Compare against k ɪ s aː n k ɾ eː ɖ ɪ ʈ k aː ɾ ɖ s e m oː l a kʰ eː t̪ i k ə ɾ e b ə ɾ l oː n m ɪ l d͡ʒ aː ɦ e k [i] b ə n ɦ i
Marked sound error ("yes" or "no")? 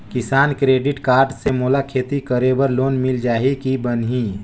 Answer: no